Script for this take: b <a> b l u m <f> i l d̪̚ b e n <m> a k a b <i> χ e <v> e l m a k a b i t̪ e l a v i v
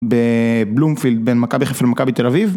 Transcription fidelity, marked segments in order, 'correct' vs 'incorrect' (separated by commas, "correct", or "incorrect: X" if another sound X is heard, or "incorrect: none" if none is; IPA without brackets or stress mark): incorrect: e, correct, correct, correct, incorrect: f